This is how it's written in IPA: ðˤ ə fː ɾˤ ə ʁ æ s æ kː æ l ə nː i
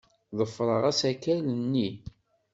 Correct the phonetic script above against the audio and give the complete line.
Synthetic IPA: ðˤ ə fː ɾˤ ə ʁ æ s æ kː æ l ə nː i

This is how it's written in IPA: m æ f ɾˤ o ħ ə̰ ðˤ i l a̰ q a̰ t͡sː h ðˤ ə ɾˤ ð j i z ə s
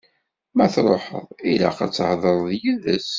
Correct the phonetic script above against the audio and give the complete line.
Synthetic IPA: m æ θ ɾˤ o ħ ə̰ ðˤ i l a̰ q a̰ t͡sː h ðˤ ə ɾˤ ð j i ð ə s

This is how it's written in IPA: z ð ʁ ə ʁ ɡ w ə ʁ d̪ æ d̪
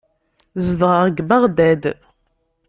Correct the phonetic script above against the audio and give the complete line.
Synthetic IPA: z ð ʁ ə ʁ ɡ b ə ʁ d̪ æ d̪

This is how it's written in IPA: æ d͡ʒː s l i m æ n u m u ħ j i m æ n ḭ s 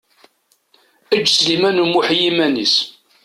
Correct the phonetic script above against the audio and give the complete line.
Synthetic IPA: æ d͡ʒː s l i m æ n u m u ħ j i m æ n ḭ s

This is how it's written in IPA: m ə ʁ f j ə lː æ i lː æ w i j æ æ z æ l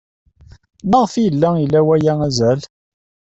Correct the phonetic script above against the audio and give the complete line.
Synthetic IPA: m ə ʁ f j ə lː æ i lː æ w æ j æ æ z æ l

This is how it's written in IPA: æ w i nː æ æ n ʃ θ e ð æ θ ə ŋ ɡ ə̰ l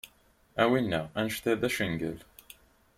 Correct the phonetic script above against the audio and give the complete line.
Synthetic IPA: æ w i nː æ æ n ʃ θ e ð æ ʃ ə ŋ ɡ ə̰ l

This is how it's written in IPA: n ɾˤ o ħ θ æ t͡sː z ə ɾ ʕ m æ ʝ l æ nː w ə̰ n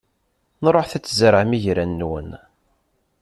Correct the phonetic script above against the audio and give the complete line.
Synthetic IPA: n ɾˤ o ħ θ æ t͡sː z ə ɾ ʕ m i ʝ ɾ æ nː w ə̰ n

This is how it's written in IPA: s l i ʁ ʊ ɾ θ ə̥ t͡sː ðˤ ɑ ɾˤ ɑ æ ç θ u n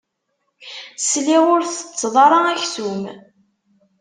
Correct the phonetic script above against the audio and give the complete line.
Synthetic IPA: s l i ʁ ʊ ɾ θ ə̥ t͡sː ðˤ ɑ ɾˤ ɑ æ ç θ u m

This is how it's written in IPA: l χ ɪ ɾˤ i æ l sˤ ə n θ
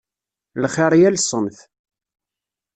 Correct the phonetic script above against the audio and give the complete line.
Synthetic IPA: l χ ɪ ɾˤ j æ l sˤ ə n θ

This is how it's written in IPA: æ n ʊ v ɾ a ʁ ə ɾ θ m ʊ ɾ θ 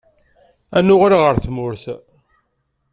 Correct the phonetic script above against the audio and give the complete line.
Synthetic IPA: æ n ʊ ʁ ɾ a ʁ ə ɾ θ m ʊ ɾ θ

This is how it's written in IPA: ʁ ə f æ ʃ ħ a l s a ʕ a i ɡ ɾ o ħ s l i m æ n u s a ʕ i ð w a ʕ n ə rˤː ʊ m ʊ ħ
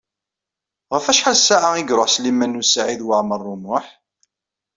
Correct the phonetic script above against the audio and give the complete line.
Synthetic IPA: ʁ ə f æ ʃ ħ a l s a ʕ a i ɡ ɾ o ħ s l i m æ n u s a ʕ i ð w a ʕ m ə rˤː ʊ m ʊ ħ

